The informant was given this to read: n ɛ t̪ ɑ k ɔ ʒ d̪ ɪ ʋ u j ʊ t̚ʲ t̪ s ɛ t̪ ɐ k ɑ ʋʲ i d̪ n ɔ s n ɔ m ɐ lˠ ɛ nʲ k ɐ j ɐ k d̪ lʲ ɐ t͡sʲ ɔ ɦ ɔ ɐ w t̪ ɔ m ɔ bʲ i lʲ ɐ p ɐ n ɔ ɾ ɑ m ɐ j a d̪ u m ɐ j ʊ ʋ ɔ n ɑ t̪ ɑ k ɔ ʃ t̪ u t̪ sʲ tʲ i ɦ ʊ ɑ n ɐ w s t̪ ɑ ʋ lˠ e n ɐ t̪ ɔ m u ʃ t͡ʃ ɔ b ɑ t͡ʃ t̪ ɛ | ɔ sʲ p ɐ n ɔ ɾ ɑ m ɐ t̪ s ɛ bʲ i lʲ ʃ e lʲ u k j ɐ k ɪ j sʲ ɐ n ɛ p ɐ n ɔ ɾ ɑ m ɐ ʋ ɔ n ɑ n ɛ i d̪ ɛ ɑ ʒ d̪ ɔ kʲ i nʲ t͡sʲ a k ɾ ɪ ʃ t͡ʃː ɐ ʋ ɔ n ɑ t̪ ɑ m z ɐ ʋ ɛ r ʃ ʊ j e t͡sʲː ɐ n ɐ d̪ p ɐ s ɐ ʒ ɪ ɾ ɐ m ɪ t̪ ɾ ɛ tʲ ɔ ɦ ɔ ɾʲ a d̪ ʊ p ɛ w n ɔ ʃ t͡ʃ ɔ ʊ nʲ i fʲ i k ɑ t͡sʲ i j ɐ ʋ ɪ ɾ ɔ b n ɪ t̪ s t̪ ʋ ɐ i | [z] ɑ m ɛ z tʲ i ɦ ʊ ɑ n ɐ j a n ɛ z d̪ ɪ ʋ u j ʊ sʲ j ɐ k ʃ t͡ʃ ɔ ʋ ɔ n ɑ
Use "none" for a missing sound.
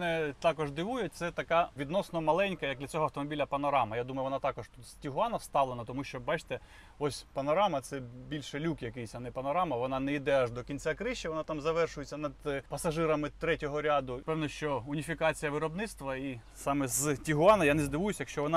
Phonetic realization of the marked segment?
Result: s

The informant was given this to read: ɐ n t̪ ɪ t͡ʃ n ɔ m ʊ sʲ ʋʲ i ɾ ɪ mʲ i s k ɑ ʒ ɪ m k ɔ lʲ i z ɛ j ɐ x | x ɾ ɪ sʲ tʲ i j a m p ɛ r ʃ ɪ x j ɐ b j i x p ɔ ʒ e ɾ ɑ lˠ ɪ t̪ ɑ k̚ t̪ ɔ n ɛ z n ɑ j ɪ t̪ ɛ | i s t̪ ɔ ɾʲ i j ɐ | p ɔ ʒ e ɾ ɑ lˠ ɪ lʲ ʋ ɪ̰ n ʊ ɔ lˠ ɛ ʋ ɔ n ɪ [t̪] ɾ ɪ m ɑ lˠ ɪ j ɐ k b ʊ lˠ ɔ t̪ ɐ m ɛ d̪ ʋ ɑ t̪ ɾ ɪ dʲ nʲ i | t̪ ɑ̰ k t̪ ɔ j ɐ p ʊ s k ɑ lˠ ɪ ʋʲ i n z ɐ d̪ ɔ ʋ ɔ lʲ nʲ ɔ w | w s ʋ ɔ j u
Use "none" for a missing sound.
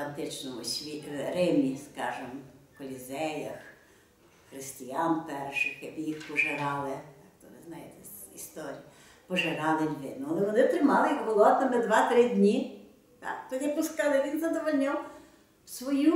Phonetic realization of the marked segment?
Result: t̪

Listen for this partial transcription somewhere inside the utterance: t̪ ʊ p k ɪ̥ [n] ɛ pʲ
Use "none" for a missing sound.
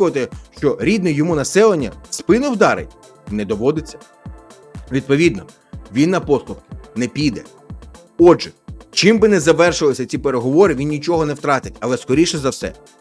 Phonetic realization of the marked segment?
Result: n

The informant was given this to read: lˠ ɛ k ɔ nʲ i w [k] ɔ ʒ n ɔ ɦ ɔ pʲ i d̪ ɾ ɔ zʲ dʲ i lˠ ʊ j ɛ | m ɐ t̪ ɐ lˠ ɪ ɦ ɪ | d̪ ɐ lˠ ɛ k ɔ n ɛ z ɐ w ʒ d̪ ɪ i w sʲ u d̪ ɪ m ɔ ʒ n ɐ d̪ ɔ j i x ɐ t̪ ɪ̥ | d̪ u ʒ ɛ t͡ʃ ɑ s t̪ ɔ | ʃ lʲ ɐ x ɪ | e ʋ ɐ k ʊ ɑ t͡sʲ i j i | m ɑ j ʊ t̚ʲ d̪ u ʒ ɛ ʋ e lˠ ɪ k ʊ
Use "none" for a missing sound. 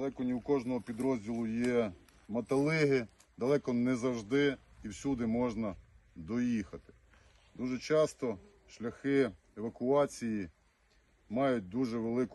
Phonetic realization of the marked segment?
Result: k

